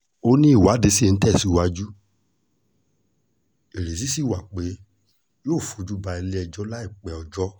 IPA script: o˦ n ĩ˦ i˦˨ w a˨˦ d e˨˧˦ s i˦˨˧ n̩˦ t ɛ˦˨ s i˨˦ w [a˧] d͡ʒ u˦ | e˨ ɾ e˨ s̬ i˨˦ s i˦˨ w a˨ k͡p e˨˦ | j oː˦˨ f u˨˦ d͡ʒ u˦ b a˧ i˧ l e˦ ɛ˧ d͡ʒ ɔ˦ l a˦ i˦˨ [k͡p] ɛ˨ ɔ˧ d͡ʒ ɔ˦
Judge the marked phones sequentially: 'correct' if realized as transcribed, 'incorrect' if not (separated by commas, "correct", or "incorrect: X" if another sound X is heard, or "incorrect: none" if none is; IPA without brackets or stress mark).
correct, correct